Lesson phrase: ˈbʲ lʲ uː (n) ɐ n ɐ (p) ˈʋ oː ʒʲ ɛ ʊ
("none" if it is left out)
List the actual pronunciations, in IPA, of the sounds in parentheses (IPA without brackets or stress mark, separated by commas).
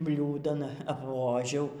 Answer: d, p